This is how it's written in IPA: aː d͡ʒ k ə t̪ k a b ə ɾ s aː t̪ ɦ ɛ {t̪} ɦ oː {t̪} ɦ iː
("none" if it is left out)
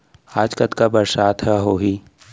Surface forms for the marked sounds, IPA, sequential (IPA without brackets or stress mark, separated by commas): none, none